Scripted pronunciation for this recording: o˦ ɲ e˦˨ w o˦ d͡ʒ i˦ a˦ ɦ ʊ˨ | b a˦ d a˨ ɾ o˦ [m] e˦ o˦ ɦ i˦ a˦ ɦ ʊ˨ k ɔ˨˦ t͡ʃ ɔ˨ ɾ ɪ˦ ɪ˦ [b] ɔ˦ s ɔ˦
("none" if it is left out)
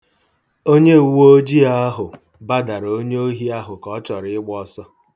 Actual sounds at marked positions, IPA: ɲ, ɡ͡b

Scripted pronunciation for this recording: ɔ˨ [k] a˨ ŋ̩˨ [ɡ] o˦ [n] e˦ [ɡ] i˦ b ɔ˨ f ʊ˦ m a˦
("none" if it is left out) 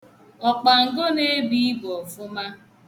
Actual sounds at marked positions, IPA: k͡p, ɡ, n, b

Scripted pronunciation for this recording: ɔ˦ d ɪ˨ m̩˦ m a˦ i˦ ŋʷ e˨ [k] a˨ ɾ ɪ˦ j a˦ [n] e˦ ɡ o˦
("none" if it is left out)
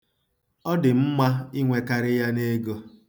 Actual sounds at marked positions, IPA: k, n

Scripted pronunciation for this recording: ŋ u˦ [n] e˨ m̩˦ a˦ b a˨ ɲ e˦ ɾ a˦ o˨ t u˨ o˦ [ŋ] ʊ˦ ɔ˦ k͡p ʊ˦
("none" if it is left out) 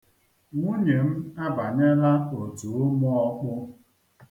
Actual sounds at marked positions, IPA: ɲ, m

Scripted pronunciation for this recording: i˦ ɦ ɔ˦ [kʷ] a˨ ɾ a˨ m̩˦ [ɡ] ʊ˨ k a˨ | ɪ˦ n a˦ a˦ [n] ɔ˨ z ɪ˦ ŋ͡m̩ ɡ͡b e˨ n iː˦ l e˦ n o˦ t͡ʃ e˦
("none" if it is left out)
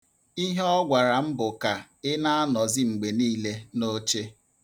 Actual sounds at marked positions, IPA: ɡʷ, b, n

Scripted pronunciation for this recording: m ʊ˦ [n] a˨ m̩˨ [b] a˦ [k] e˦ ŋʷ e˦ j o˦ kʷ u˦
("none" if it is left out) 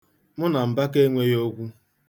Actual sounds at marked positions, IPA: n, b, k

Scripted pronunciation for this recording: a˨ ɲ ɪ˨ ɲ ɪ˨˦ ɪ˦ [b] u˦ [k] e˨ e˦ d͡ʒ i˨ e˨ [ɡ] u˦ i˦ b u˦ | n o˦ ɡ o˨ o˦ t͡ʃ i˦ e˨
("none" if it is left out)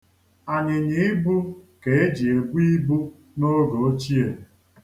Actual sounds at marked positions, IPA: b, k, b

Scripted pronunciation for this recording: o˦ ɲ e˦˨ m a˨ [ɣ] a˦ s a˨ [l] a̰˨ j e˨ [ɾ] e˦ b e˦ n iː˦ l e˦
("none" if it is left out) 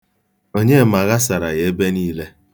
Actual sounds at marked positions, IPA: ɣ, ɾ, none

